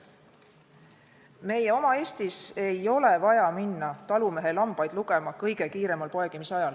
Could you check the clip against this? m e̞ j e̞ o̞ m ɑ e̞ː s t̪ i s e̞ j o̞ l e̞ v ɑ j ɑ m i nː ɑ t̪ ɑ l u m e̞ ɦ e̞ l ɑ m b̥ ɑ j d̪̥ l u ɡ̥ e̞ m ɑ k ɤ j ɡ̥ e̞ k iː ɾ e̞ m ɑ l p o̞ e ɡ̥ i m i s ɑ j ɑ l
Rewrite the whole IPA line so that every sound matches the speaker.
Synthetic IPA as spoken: m e̞ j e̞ o̞ m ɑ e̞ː s t̪ i s e̞ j o̞ l e̞ v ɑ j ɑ m i nː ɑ t̪ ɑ l u m e̞ ɦ e̞ l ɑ m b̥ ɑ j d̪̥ l u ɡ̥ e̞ m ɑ k ɤ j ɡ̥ e̞ k iː ɾ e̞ m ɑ l p o̞ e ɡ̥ i m i s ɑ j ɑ l